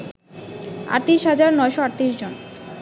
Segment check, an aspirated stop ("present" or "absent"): absent